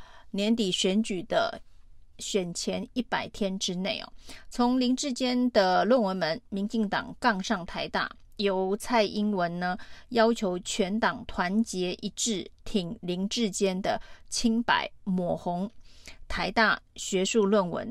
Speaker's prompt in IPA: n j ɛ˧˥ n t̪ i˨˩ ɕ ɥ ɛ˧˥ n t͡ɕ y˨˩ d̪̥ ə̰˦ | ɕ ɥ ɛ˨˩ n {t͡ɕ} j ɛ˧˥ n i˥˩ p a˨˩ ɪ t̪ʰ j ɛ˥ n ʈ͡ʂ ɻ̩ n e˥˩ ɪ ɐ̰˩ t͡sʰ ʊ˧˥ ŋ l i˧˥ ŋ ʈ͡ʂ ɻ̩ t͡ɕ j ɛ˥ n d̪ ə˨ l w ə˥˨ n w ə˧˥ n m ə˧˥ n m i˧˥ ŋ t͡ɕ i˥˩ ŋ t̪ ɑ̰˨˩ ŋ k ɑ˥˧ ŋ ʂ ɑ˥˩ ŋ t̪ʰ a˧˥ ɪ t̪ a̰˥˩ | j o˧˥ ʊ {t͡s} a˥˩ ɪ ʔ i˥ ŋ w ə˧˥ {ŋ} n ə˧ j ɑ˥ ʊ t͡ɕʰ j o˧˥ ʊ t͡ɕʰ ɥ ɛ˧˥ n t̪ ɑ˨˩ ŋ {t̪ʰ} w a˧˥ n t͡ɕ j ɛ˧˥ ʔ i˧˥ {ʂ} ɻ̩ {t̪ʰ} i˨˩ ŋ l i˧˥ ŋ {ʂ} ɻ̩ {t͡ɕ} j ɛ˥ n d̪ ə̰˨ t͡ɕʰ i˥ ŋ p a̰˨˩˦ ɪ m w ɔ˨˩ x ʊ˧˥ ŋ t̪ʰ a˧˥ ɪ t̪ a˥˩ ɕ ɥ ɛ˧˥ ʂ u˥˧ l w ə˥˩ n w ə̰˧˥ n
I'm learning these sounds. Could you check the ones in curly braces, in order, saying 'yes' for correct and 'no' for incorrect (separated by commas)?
no, no, no, yes, no, yes, no, yes